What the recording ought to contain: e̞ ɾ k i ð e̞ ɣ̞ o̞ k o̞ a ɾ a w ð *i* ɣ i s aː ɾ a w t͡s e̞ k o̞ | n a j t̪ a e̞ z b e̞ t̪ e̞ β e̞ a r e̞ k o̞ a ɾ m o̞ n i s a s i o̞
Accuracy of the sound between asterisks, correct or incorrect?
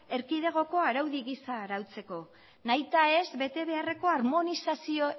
correct